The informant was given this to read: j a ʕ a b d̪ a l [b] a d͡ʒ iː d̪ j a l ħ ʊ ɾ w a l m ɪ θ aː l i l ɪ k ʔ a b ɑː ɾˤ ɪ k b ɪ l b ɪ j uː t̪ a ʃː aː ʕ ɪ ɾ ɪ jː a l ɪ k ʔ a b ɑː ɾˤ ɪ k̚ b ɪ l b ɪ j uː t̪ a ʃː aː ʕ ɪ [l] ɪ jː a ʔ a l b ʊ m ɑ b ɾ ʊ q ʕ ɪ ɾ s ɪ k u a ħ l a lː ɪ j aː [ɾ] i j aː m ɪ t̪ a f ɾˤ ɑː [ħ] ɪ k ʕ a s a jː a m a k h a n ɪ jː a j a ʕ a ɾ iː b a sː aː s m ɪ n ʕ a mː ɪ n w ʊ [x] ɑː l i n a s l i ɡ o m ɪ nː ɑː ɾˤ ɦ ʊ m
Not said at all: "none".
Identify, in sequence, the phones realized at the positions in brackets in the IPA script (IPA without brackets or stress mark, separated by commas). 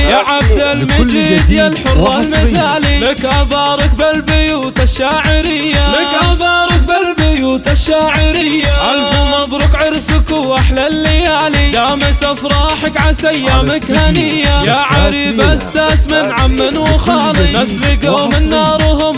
m, ɾ, l, ħ, x